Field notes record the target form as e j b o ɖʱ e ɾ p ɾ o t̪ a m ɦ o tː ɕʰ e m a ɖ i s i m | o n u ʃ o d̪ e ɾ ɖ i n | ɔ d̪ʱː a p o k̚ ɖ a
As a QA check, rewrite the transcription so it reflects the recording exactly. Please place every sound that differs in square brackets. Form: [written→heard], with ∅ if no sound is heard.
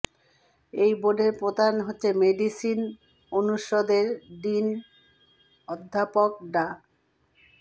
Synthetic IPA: e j b o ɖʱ e ɾ p ɾ o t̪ a [m→n] ɦ o tː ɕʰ e m [a→e] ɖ i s i [m→n] | o n u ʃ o d̪ e ɾ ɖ i n | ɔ d̪ʱː a p o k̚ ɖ a

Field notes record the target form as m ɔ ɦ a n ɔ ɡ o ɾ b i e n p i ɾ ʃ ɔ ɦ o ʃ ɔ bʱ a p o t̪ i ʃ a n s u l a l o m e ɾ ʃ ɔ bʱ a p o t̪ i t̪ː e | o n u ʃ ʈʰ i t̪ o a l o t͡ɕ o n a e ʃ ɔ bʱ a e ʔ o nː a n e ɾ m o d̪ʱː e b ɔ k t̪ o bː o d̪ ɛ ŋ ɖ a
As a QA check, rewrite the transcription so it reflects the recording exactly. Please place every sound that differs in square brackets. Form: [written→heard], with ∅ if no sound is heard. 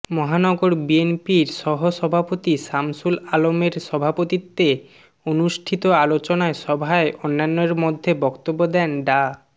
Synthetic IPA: m ɔ ɦ a n ɔ ɡ o ɾ b i e n p i ɾ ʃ ɔ ɦ o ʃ ɔ bʱ a p o t̪ i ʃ a [n→m] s u l a l o m e ɾ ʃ ɔ bʱ a p o t̪ i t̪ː e | o n u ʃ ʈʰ i t̪ o a l o t͡ɕ o n a e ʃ ɔ bʱ a e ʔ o nː a [n→nː] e ɾ m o d̪ʱː e b ɔ k t̪ o bː o d̪ ɛ [ŋ→n] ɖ a

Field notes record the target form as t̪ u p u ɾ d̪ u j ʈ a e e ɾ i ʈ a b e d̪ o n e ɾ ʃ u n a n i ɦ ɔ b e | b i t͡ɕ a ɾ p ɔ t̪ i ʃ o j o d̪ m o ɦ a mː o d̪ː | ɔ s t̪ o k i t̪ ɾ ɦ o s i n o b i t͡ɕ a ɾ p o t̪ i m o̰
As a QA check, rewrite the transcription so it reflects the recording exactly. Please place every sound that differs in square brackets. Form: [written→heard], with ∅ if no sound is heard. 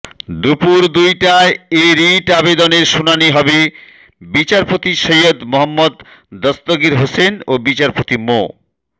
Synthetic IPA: [t̪→d̪] u p u ɾ d̪ u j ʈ a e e ɾ i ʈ a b e d̪ o n e ɾ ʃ u n a n i ɦ ɔ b e | b i t͡ɕ a ɾ p [ɔ→o] t̪ i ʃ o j o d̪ m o ɦ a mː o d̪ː | ɔ s t̪ o [k→ɡ] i [t̪→∅] ɾ ɦ o s [i→e] n o b i t͡ɕ a ɾ p o t̪ i m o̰

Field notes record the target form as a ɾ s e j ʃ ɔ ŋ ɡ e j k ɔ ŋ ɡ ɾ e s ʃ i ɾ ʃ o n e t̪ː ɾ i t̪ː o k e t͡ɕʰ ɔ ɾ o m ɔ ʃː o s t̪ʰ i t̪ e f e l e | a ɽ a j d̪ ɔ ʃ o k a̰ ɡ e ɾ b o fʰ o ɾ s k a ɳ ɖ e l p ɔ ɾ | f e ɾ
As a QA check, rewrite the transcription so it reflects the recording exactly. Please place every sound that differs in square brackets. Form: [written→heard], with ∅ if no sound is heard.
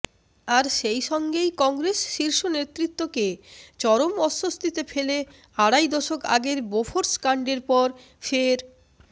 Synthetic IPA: a ɾ [s→ʃ] e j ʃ ɔ ŋ ɡ e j k ɔ ŋ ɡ ɾ e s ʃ i ɾ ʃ o n e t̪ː ɾ i t̪ː o k e [t͡ɕʰ→t͡ɕ] ɔ ɾ o m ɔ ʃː o s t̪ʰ i t̪ e f e l e | a ɽ a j d̪ ɔ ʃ o k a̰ ɡ e ɾ b o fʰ o ɾ s k a ɳ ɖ e [l→ɾ] p ɔ ɾ | f e ɾ

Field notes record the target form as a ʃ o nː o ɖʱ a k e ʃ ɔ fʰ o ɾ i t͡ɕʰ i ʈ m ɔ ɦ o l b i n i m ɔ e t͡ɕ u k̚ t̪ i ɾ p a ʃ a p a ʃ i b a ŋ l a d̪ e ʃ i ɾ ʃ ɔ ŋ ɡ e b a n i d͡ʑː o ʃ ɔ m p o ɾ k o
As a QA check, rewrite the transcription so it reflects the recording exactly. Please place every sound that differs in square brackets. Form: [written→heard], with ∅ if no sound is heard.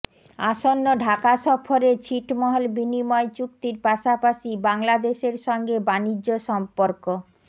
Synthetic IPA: a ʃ o nː o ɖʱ a k [e→a] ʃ ɔ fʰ o ɾ [i→e] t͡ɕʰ i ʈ m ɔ ɦ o l b i n i m ɔ e t͡ɕ u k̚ t̪ i ɾ p a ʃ a p a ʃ i b a ŋ l a d̪ e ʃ [i→e] ɾ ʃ ɔ ŋ ɡ e b a n i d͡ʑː o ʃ ɔ m p o ɾ k o

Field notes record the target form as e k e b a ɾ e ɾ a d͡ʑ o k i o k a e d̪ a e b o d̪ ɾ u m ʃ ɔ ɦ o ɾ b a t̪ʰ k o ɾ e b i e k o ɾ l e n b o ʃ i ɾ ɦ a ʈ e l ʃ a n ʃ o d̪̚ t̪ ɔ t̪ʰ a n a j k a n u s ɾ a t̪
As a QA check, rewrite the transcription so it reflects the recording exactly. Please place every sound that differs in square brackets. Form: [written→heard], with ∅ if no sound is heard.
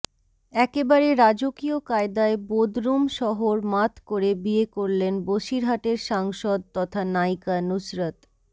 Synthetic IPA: [e→ɛ] k e b a ɾ e ɾ a d͡ʑ o k i o k a e d̪ a e b o d̪ ɾ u m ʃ ɔ ɦ o ɾ [b→m] a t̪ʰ k o ɾ e b i e k o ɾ l e n b o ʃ i ɾ ɦ a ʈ e [l→ɾ] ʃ a [n→ŋ] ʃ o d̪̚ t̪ ɔ t̪ʰ a n a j k a n u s ɾ a t̪

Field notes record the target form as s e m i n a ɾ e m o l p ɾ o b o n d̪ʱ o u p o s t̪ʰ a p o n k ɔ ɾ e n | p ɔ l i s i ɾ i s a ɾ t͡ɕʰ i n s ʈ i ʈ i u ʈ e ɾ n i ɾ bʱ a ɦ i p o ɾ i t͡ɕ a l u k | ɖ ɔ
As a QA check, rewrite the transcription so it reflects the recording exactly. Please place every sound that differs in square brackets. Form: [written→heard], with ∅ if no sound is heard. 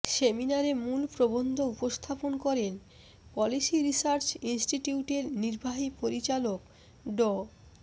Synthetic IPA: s e m i n a ɾ e m [o→u] l p ɾ o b o n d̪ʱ o u p o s t̪ʰ a p o n k ɔ ɾ e n | p ɔ l i s i ɾ i s a ɾ [t͡ɕʰ→t͡ɕ] i n s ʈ i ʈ i u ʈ e ɾ n i ɾ bʱ a ɦ i p o ɾ i t͡ɕ a l [u→o] k | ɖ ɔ

